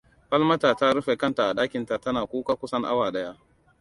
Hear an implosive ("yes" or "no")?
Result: yes